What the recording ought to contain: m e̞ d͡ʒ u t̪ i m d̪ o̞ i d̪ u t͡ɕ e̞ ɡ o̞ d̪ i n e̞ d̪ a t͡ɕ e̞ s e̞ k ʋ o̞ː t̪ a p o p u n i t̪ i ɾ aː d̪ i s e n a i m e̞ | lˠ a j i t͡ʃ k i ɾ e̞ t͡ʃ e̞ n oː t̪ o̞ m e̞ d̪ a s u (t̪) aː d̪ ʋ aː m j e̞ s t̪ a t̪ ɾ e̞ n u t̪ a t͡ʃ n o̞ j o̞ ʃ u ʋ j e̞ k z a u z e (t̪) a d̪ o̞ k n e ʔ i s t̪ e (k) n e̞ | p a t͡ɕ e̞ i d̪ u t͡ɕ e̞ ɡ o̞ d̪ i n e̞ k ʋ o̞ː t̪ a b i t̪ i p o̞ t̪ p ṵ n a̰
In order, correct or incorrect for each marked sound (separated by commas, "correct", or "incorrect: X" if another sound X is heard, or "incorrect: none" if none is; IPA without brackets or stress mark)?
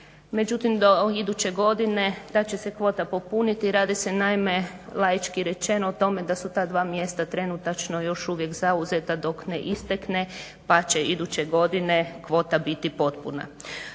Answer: correct, correct, correct